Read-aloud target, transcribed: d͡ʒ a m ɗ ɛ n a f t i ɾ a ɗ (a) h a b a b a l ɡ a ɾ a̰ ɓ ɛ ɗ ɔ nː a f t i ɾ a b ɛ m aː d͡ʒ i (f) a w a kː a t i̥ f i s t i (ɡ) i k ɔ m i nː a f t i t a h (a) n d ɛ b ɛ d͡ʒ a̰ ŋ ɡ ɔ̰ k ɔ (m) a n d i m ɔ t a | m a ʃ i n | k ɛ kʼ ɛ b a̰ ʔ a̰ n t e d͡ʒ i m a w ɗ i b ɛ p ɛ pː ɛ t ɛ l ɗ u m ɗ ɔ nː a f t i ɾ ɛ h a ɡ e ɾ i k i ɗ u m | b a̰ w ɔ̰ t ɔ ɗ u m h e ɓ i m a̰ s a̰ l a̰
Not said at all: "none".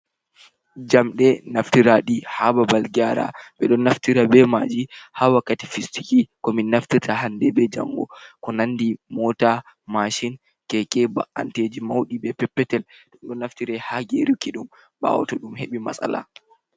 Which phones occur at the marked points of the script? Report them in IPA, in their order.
i, h, k, a, n

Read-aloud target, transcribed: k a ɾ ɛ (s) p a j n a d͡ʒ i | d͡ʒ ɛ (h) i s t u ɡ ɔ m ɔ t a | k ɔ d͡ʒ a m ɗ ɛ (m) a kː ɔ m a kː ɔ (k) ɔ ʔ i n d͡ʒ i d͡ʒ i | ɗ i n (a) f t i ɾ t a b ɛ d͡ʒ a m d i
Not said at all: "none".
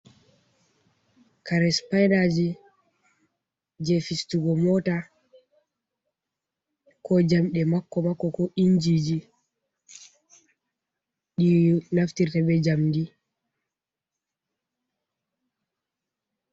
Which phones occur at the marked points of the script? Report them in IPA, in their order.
s, f, m, k, a

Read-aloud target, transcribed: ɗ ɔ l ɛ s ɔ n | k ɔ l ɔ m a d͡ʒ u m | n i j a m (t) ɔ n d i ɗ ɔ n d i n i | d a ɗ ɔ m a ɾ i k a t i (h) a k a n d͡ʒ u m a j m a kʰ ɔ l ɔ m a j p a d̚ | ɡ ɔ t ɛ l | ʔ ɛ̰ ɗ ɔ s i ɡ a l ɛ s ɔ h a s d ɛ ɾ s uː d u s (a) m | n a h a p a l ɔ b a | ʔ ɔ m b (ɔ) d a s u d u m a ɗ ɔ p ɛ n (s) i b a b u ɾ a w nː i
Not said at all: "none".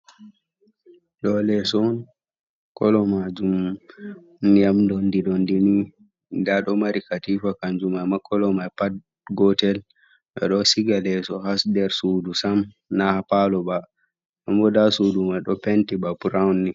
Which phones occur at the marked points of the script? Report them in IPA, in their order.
d, f, a, ɔ, t

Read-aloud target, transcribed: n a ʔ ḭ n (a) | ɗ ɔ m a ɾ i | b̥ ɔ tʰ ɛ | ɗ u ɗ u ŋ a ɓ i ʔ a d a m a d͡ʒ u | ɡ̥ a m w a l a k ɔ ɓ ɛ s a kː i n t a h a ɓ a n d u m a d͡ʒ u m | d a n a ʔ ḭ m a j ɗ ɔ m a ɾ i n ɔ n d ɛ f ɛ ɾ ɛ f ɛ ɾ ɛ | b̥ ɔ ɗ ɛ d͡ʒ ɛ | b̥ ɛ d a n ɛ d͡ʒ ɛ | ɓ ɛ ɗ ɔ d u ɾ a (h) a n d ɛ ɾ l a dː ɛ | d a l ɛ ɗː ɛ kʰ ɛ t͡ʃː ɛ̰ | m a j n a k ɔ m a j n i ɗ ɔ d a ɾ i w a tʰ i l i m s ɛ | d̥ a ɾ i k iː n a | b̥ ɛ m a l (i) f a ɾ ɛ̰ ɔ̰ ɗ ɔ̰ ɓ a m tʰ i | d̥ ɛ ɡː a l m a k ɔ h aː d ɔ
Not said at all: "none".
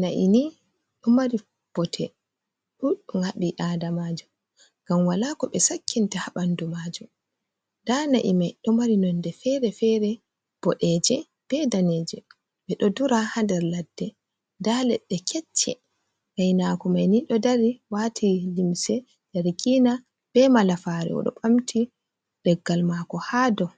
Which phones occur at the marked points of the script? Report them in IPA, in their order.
i, h, a

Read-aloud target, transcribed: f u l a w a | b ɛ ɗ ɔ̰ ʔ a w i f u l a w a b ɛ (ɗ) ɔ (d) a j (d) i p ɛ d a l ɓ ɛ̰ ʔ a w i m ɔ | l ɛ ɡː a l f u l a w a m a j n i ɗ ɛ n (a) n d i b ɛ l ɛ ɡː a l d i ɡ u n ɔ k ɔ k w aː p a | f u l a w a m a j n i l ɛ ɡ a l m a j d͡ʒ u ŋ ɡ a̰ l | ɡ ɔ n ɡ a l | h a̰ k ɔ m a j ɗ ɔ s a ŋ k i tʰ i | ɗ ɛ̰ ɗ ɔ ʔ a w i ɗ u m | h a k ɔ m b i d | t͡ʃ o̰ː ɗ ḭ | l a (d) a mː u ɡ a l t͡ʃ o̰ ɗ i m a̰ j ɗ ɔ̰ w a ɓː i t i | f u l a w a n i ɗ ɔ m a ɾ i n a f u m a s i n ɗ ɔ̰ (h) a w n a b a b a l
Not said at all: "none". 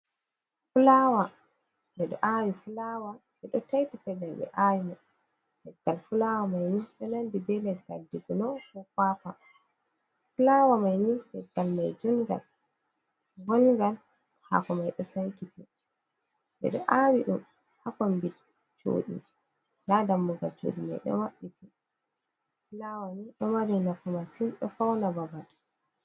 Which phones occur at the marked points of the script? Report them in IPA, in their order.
ɗ, t, t, a, d, f

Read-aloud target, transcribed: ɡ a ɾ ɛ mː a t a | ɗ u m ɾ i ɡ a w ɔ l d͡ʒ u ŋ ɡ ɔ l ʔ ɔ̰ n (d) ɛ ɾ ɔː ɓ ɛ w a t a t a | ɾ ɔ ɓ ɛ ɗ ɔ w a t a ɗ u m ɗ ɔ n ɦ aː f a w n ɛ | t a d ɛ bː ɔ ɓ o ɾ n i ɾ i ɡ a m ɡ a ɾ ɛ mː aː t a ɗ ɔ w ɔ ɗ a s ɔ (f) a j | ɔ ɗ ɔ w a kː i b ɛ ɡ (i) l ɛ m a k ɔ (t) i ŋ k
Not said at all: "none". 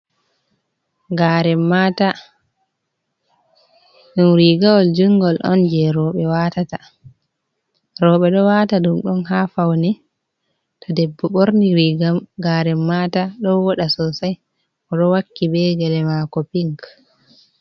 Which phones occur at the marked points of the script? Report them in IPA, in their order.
d͡ʒ, s, ɛ, p

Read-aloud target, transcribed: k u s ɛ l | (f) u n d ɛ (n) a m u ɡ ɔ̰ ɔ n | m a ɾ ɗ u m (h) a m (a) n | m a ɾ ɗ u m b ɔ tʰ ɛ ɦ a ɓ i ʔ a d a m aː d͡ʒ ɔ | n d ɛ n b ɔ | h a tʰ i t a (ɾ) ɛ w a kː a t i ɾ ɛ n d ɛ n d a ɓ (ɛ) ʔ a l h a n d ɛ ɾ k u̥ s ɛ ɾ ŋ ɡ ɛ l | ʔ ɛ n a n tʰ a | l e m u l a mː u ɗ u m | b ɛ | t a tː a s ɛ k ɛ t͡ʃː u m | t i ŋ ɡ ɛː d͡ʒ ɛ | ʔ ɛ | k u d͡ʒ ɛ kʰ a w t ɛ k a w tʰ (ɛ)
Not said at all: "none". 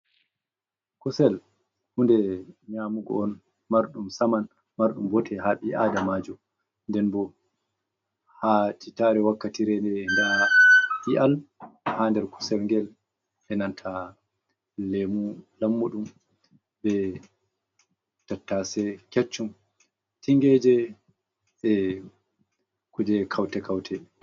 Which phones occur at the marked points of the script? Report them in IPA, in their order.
h, ɲ, s, a, ɾ, i, ɛ

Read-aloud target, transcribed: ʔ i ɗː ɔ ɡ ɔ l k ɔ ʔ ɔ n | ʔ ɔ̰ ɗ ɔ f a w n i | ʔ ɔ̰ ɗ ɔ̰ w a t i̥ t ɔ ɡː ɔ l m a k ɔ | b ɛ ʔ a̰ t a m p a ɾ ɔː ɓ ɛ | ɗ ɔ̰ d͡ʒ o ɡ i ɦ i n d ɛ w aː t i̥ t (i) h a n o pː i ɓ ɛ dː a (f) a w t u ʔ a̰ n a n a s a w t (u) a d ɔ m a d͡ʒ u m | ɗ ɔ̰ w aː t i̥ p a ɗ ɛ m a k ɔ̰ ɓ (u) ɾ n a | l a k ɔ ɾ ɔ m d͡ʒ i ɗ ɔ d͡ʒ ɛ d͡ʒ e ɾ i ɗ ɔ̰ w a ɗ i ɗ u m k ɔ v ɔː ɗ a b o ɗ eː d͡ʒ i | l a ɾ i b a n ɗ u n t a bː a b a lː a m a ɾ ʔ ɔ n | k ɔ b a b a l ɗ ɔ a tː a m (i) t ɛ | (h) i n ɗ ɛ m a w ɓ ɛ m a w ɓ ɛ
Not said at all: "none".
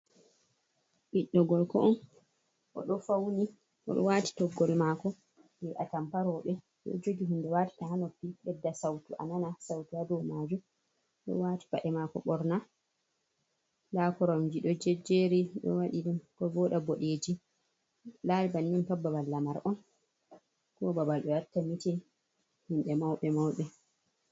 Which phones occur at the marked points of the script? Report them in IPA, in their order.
a, s, u, ɔ, i, h

